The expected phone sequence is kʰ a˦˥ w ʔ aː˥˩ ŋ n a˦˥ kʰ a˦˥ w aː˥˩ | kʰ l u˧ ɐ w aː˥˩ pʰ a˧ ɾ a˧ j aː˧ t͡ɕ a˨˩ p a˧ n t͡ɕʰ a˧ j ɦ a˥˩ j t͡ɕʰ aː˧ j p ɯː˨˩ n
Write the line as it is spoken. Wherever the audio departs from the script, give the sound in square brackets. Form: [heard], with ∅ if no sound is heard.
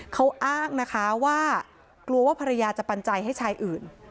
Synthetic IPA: kʰ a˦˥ w ʔ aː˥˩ ŋ n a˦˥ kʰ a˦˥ w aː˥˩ | [k] l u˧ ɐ w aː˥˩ pʰ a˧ ɾ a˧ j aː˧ t͡ɕ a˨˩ p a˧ n [t͡ɕ] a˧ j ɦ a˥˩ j t͡ɕʰ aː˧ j [ʔ] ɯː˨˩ n